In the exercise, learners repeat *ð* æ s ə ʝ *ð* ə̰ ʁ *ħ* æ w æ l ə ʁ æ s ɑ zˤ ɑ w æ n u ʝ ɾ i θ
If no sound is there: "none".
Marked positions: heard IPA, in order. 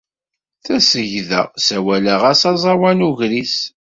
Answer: θ, ð, s

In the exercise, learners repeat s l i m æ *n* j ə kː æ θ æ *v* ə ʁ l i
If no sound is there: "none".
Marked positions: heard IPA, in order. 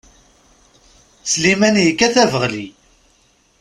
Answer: n, v

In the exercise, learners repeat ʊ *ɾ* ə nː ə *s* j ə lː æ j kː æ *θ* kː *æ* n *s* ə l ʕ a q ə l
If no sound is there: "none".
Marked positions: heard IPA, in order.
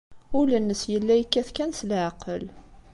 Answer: l, s, θ, æ, s

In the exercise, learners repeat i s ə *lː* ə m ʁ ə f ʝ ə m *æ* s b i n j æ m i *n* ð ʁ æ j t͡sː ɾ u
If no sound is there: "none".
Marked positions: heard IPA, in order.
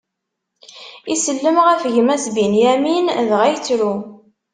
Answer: lː, æ, n

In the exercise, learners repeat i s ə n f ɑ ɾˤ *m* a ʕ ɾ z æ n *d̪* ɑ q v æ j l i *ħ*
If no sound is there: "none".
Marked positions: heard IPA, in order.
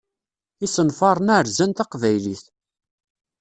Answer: n, t̪, θ

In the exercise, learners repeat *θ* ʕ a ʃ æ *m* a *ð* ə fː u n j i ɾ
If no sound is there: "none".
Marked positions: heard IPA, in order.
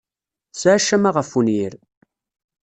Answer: s, m, ʁ

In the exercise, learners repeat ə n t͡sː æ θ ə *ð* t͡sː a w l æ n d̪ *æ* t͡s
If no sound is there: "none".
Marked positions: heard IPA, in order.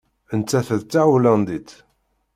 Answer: ð, i

